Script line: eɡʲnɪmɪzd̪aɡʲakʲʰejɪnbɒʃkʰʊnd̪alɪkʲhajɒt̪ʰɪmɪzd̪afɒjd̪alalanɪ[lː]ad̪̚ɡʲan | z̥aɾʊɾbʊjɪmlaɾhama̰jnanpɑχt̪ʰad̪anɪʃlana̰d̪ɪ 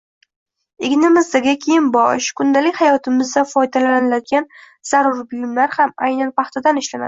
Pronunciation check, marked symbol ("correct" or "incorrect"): incorrect